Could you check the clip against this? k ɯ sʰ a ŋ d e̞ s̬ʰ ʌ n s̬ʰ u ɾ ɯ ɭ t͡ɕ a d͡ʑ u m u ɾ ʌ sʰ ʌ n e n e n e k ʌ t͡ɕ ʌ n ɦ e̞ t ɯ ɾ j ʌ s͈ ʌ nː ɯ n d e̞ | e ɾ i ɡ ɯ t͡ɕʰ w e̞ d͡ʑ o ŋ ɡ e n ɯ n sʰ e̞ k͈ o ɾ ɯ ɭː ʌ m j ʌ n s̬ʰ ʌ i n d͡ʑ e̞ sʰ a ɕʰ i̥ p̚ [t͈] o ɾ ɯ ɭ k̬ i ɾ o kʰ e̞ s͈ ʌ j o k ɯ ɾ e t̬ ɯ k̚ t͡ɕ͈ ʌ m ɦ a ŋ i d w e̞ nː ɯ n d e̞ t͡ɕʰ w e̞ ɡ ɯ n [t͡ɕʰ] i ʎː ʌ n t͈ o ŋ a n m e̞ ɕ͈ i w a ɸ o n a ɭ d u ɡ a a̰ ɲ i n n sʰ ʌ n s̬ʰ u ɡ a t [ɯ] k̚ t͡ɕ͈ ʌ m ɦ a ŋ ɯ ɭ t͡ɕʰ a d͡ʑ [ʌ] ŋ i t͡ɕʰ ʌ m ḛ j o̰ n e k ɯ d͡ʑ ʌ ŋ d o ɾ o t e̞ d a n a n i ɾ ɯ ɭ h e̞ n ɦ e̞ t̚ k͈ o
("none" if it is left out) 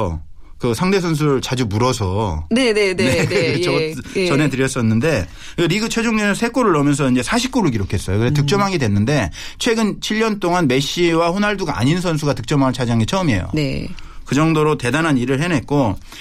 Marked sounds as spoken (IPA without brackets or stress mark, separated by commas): k͈, t͡ɕʰ, ɯ, a